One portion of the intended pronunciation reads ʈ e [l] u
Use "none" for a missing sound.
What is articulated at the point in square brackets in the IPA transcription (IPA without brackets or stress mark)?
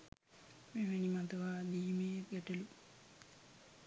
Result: l